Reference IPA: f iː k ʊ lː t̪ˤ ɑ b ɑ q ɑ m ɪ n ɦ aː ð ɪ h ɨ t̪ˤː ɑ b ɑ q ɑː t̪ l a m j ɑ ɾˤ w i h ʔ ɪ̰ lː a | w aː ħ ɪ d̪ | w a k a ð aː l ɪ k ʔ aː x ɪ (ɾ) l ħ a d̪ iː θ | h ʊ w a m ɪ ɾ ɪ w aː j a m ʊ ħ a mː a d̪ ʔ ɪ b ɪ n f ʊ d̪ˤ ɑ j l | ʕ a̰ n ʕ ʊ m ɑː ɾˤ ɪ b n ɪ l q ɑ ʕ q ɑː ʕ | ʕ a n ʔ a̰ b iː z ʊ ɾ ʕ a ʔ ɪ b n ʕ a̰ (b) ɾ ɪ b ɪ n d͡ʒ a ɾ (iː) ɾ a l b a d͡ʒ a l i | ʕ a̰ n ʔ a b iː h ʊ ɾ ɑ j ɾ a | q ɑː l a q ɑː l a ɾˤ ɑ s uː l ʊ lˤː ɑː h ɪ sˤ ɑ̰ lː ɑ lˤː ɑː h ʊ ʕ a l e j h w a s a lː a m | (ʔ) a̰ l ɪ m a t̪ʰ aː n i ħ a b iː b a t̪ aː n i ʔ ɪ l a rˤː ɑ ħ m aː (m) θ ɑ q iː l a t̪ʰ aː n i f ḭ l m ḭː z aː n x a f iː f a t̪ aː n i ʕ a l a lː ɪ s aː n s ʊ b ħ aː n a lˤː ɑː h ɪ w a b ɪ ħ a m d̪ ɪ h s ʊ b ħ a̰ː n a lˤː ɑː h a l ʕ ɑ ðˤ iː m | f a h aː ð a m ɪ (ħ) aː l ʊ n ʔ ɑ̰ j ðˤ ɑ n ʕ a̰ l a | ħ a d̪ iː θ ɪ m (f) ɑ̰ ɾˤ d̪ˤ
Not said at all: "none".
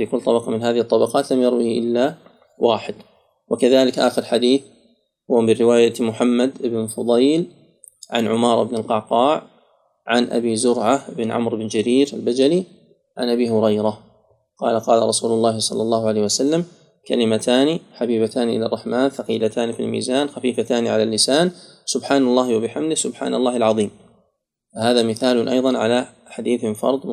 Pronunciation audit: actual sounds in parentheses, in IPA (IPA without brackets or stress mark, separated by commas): ɾ, m, iː, k, n, θ, f